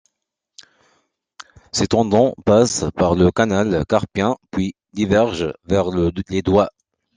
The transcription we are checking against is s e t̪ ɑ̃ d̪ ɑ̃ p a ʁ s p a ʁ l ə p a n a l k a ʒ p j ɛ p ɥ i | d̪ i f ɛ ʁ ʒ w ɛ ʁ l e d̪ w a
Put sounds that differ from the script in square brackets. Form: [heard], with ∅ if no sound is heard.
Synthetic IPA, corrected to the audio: s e t̪ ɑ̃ d̪ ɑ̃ p a [∅] s p a ʁ l ə [k] a n a l k a [ʁ] p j [ɛ̃] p ɥ i | d̪ i [v] ɛ ʁ ʒ [v] ɛ ʁ l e d̪ w a